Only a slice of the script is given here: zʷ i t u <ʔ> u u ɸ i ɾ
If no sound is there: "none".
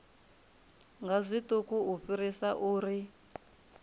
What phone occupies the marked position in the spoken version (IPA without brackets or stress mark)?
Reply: k